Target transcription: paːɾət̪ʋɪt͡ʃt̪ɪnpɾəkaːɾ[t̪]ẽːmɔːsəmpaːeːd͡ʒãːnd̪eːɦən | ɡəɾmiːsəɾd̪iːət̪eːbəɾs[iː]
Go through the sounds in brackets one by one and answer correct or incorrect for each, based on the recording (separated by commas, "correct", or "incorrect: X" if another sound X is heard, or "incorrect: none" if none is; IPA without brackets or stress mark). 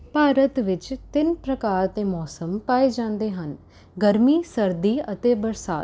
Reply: correct, incorrect: aː